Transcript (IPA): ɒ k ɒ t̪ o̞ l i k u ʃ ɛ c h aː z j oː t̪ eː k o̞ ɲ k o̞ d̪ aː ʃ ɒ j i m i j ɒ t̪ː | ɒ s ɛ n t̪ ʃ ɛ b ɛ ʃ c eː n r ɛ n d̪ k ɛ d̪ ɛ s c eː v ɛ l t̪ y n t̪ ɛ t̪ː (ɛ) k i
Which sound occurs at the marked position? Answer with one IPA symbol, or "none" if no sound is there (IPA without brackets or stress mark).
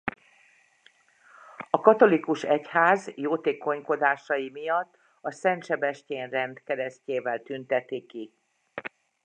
i